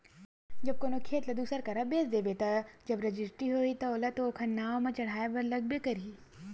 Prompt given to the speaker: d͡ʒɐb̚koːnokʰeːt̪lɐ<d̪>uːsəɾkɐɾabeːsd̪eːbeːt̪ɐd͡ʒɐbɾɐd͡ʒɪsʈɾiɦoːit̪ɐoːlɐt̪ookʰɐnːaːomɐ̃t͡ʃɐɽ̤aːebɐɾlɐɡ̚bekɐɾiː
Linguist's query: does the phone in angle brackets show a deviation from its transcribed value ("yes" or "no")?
no